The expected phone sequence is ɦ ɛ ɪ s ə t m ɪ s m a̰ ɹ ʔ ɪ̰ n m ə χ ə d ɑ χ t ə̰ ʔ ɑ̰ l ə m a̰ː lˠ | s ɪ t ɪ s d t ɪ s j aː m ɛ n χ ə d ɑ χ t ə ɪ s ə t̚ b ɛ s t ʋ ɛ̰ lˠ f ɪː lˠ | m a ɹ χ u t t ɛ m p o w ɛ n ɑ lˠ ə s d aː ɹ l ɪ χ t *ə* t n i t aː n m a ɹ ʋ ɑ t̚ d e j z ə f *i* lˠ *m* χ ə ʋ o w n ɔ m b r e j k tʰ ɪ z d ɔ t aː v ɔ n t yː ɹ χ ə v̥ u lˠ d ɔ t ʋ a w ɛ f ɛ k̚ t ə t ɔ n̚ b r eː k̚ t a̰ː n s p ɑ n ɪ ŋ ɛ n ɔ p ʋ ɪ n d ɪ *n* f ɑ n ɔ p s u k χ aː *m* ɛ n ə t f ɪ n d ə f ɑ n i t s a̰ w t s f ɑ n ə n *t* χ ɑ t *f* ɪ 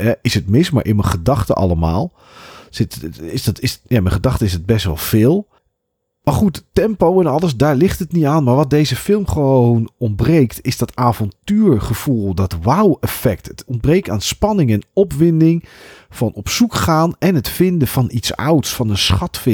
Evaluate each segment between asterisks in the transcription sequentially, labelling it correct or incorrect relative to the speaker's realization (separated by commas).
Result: correct, incorrect, correct, incorrect, incorrect, incorrect, correct